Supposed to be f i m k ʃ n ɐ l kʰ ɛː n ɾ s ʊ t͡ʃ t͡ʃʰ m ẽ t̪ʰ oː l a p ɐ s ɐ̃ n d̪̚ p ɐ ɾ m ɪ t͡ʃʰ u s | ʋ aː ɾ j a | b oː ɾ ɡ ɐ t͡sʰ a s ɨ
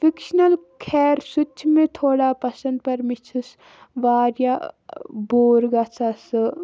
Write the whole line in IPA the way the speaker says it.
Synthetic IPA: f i k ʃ n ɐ l kʰ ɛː ɾ s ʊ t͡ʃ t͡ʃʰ m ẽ t̪ʰ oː ɽ a p ɐ s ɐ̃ n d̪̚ p ɐ ɾ m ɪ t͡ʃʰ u s | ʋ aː ɾ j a | b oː ɾ ɡ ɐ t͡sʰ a s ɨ